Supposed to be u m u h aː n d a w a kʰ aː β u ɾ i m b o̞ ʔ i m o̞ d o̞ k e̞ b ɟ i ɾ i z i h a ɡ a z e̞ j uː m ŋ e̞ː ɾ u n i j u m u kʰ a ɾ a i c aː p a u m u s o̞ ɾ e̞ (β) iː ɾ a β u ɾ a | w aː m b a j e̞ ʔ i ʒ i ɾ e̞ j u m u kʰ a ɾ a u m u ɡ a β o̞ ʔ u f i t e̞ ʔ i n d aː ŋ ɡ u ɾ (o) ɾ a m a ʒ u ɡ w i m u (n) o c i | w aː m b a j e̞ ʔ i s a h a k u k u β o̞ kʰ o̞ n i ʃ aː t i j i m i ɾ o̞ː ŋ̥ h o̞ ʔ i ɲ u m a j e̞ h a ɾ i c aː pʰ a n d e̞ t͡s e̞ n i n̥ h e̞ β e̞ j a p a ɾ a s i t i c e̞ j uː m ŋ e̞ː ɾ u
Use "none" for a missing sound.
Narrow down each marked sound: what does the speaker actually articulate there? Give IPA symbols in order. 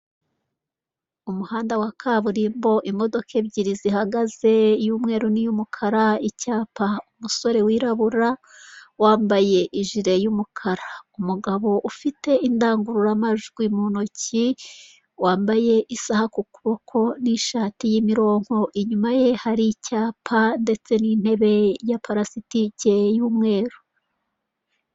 w, u, n

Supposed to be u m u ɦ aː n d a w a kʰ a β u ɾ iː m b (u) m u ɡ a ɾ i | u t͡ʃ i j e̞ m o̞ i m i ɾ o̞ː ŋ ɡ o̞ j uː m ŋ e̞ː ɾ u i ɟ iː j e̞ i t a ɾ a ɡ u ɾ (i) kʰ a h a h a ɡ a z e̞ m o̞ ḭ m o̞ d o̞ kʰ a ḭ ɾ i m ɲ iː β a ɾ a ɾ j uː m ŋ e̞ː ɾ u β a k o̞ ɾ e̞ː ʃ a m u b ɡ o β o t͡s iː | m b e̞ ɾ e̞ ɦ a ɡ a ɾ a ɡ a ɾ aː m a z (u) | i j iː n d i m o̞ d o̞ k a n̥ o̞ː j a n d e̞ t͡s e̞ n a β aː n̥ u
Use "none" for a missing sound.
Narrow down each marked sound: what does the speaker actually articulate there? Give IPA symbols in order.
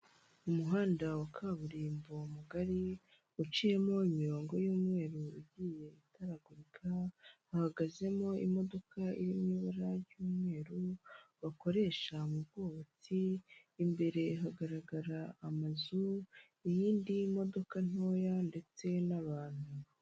o, i, u

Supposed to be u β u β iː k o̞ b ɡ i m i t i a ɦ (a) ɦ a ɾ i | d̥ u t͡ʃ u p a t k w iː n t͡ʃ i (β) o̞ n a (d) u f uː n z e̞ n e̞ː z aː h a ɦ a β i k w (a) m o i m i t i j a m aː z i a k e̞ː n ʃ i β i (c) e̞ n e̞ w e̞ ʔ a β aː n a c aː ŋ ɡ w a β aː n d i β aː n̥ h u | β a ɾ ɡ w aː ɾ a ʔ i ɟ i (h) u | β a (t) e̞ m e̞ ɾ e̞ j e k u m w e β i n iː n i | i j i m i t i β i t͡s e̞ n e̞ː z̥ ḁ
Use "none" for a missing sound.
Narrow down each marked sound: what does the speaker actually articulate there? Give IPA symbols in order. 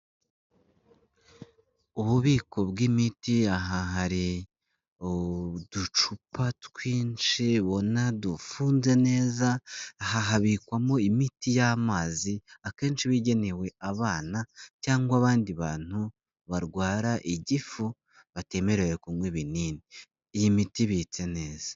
a, β, d, a, ɟ, f, t

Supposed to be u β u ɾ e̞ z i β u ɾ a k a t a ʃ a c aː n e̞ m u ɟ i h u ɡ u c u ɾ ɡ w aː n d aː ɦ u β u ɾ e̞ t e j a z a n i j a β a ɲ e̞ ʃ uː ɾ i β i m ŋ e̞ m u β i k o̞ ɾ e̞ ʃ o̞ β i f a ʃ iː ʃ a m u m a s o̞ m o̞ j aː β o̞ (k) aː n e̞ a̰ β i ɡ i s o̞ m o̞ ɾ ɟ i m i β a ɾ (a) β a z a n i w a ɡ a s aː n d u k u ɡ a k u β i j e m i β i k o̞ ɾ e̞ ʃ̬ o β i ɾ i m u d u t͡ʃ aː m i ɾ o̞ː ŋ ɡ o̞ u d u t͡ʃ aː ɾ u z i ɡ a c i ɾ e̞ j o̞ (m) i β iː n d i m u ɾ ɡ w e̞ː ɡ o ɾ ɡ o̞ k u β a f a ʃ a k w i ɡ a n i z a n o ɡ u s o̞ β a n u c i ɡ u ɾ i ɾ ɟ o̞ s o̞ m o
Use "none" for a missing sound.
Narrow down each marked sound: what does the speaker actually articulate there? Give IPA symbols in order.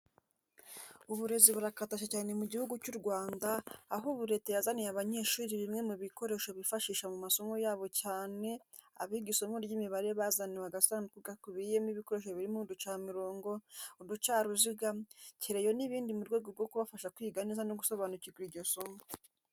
c, e, n

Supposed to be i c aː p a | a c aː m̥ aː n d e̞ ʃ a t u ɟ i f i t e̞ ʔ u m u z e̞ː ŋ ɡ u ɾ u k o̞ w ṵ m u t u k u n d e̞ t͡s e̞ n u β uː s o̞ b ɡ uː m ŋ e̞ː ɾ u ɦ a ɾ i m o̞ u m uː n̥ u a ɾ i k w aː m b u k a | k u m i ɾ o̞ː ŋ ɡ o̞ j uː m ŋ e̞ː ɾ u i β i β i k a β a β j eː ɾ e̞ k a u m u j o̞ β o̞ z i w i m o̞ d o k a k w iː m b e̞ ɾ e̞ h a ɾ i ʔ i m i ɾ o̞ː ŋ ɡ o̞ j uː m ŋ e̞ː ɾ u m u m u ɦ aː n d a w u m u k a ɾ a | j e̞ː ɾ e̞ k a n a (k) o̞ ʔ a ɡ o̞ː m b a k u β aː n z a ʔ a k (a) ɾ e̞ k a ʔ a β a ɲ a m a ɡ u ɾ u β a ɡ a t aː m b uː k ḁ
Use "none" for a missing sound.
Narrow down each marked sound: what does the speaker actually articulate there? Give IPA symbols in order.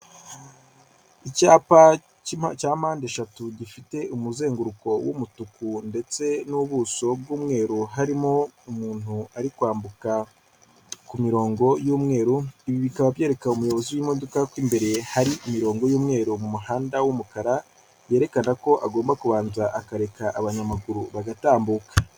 k, a

